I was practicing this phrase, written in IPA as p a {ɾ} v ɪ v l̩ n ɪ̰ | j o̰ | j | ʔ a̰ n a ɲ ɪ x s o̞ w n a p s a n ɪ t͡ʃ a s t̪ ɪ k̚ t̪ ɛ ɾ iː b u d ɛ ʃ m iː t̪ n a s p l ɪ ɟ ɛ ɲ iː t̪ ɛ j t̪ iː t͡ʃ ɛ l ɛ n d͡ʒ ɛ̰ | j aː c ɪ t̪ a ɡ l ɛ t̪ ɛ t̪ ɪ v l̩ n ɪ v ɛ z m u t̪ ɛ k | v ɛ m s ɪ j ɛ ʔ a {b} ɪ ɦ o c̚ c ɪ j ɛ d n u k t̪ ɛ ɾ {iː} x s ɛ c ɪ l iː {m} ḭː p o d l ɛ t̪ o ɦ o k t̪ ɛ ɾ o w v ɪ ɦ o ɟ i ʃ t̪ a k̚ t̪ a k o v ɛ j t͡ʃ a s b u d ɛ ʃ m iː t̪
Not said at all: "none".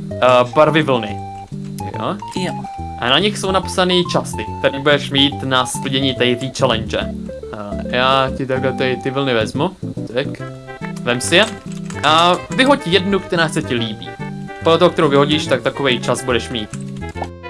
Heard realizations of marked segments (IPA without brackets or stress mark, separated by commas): ɾ, v, aː, b